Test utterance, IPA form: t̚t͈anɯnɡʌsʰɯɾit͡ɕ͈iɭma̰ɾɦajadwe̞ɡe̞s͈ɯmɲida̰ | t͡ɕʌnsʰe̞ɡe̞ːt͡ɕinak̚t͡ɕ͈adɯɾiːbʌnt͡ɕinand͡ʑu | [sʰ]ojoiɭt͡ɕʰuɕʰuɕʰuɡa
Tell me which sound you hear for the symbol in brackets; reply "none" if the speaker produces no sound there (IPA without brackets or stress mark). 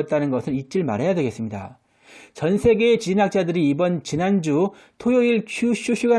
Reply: tʰ